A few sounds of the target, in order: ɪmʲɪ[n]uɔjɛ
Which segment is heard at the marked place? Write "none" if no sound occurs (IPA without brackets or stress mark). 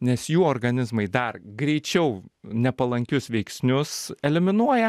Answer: n